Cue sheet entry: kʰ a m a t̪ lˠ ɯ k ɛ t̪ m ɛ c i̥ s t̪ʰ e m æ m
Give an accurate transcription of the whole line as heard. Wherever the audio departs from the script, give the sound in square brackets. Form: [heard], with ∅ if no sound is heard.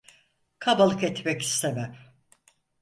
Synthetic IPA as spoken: kʰ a [b] a [∅] lˠ ɯ k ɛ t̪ m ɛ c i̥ s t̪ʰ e m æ m